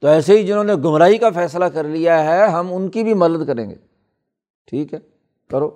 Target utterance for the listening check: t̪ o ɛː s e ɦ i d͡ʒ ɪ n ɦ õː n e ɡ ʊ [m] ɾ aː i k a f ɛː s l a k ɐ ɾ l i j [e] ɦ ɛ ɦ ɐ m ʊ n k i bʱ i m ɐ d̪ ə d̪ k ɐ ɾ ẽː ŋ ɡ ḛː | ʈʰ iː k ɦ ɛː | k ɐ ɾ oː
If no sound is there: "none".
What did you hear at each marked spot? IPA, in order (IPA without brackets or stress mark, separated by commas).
m, a